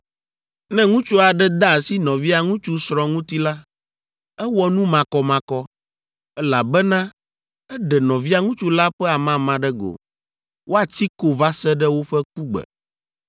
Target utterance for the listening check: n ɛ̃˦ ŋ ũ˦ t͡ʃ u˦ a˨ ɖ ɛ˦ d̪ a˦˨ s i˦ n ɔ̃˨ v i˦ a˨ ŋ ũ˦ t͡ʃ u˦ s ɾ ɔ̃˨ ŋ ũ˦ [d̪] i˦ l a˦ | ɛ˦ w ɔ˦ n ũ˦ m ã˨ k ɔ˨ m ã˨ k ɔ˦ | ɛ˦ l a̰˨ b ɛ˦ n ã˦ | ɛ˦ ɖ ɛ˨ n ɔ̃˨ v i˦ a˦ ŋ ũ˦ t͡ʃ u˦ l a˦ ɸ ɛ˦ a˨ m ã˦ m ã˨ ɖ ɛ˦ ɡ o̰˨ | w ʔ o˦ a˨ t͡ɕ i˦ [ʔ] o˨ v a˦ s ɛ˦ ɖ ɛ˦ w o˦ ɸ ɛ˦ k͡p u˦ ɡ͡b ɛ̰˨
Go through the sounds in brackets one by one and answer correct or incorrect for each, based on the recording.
incorrect, incorrect

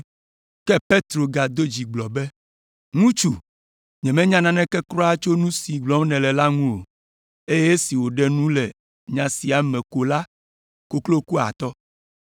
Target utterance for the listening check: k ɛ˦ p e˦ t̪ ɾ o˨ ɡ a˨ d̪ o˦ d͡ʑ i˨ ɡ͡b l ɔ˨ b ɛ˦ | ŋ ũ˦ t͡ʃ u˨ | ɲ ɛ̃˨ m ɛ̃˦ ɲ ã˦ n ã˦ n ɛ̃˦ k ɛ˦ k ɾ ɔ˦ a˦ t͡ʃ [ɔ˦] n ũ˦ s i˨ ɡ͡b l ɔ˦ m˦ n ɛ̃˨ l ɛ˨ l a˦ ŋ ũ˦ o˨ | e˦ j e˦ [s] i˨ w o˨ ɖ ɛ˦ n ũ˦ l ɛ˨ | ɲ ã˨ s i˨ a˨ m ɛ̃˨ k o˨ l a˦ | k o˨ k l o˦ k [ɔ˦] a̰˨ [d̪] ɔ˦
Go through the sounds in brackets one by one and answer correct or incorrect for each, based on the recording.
incorrect, correct, incorrect, incorrect

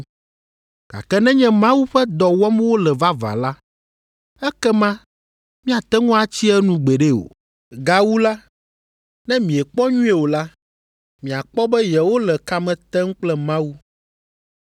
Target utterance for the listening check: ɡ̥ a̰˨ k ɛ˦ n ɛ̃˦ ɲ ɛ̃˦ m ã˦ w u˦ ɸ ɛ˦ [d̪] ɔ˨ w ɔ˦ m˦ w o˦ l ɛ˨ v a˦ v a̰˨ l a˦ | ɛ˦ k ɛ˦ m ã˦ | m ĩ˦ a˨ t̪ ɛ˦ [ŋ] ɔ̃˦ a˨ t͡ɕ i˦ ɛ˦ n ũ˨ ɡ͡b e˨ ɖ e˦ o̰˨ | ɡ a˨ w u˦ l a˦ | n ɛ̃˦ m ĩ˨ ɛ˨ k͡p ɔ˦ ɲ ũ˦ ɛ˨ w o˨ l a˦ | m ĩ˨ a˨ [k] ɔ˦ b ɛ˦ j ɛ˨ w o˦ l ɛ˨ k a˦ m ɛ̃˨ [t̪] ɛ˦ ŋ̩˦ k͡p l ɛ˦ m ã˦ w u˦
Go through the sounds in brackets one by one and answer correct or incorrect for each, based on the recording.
correct, correct, incorrect, correct

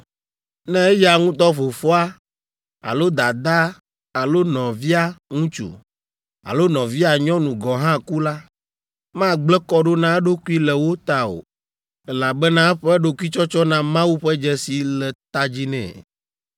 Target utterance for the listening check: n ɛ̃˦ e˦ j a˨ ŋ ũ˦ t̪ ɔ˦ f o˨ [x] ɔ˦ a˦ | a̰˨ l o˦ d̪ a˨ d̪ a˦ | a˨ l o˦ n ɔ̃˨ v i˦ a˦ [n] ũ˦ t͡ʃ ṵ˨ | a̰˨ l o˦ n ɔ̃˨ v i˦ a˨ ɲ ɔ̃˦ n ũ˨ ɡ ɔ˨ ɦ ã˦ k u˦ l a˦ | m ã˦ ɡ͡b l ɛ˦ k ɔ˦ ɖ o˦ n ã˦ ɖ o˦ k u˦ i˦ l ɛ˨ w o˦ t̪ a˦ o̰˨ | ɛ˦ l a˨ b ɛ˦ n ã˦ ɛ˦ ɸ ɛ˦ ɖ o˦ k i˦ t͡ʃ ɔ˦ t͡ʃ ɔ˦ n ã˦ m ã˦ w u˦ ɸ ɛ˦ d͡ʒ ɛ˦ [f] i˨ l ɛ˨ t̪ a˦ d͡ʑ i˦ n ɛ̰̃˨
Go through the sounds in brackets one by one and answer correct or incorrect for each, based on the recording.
incorrect, incorrect, incorrect

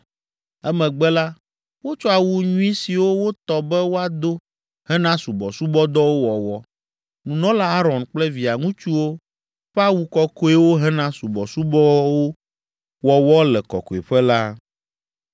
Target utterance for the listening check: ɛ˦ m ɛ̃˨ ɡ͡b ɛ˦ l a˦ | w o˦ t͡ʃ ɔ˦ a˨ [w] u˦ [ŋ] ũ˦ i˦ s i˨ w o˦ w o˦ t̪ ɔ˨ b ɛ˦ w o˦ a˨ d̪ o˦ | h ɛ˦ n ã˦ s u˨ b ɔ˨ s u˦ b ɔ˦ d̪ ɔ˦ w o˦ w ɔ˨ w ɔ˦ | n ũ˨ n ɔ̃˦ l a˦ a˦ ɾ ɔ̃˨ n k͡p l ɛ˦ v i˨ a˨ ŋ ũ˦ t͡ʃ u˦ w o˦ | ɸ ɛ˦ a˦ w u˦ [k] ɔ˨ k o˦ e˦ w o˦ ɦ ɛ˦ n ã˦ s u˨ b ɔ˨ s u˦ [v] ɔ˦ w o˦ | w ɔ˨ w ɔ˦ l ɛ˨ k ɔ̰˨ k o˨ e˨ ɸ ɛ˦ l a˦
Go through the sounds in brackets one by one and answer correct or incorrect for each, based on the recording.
correct, incorrect, correct, incorrect

